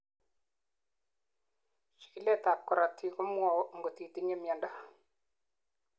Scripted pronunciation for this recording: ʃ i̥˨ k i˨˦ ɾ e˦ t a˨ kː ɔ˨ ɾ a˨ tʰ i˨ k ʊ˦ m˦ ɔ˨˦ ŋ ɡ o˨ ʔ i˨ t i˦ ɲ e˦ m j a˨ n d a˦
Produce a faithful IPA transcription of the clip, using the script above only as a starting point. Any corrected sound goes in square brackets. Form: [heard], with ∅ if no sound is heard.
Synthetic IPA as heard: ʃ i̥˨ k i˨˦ [l] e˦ t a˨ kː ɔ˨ ɾ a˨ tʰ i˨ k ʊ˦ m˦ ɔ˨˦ ŋ ɡ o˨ [t] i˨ t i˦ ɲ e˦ m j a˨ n d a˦